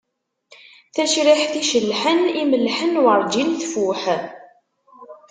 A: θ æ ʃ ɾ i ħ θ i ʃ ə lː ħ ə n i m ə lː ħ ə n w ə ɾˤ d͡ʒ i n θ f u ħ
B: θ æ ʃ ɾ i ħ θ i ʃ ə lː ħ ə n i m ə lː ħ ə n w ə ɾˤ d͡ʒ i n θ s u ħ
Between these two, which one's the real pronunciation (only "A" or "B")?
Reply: A